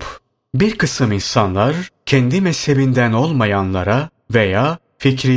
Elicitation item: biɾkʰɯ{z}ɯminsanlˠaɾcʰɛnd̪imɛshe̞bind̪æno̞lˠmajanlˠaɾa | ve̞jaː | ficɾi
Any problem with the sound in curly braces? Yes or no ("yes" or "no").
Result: yes